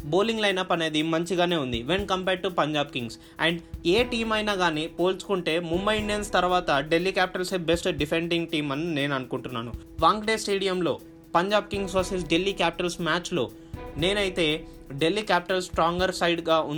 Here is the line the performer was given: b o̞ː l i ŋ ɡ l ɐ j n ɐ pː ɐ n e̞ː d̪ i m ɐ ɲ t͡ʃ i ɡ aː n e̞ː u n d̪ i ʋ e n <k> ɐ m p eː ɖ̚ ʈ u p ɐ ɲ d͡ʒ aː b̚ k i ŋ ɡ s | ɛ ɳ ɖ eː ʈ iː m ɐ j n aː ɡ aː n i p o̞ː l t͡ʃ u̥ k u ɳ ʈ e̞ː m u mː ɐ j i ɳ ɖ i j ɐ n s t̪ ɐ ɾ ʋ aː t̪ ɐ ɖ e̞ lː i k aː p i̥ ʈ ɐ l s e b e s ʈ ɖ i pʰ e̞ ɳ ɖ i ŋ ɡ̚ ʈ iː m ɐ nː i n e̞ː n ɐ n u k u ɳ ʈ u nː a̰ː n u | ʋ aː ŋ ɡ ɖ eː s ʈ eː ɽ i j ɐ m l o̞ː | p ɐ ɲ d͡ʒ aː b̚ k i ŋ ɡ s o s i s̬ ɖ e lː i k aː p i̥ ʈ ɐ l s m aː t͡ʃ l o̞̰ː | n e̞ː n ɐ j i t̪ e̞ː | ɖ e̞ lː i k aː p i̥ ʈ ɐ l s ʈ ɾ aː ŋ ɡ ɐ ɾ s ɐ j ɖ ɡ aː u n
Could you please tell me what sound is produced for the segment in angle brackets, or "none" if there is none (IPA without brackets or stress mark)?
k